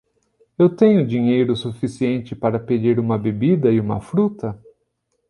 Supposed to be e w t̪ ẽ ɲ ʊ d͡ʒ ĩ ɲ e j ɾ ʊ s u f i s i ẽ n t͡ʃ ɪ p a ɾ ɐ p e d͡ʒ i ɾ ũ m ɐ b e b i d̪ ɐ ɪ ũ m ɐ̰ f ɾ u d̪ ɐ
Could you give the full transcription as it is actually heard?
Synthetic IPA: e w t̪ ẽ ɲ ʊ d͡ʒ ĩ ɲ e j ɾ ʊ s u f i s i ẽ n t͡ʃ ɪ p a ɾ ɐ p e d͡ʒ i ɾ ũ m ɐ b e b i d̪ ɐ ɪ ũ m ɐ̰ f ɾ u t̪ ɐ